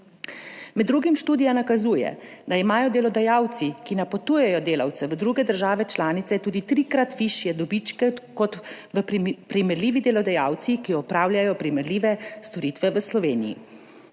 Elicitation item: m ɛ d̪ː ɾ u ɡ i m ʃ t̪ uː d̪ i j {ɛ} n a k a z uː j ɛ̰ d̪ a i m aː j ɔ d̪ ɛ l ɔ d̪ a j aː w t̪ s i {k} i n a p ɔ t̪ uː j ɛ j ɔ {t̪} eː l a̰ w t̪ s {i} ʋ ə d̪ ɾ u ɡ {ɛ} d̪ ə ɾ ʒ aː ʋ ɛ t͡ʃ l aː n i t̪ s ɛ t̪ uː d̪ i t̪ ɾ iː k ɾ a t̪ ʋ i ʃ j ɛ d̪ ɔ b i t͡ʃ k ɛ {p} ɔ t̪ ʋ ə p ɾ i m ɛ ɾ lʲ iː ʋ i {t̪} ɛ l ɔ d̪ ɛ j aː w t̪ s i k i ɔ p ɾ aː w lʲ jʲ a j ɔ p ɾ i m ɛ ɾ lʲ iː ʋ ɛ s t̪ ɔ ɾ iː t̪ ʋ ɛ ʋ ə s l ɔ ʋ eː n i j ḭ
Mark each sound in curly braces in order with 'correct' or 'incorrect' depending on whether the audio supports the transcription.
incorrect: a, correct, incorrect: d̪, incorrect: ɛ, correct, incorrect: k, incorrect: d̪

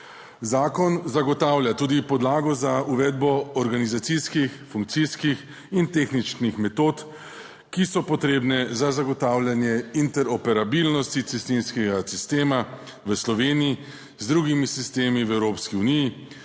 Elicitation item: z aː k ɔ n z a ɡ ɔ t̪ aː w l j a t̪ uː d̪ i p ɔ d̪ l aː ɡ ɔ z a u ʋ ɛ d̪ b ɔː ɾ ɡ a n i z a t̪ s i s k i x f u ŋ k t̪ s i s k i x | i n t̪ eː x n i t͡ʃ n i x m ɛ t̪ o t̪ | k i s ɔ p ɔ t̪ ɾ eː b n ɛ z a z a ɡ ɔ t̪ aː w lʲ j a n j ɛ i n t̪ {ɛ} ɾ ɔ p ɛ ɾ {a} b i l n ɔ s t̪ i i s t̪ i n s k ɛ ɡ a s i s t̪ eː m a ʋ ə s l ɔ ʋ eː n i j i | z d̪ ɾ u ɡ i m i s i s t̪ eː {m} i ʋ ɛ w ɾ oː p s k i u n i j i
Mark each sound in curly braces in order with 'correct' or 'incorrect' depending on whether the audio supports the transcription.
correct, correct, correct

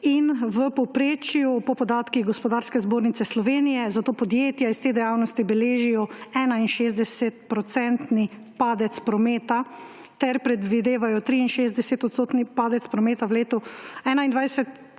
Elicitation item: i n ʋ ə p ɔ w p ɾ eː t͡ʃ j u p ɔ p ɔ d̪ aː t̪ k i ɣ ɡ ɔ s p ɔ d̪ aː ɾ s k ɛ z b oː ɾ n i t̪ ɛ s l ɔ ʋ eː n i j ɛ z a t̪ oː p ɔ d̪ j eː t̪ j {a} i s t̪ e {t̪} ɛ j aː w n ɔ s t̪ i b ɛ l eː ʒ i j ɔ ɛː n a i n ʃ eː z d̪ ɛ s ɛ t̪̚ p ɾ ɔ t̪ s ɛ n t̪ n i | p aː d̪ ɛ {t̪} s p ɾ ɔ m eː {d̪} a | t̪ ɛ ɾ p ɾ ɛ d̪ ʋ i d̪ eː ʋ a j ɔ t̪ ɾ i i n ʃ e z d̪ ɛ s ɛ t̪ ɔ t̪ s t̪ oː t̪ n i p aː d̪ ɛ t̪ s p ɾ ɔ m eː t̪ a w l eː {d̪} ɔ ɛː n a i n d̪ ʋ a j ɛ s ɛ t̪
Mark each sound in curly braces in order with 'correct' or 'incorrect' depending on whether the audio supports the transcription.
correct, incorrect: d̪, correct, incorrect: t̪, incorrect: t̪

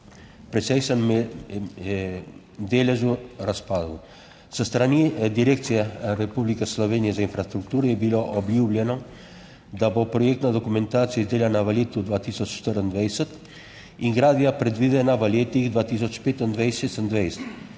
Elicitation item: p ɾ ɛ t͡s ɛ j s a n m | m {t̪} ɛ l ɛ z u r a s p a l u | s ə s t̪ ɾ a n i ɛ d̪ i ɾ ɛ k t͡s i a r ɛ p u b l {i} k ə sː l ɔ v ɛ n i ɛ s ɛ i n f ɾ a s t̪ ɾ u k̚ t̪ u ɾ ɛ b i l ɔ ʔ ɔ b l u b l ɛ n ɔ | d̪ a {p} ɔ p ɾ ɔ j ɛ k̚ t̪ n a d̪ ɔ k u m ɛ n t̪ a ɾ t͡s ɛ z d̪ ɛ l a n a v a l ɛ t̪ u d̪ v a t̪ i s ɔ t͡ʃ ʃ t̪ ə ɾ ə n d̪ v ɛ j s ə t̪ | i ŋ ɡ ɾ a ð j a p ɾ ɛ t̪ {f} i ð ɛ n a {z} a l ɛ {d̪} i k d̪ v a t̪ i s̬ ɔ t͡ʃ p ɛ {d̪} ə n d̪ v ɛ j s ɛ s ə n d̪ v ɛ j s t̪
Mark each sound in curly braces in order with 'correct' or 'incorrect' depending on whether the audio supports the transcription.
incorrect: d̪, correct, incorrect: b, incorrect: v, incorrect: v, incorrect: t̪, incorrect: t̪

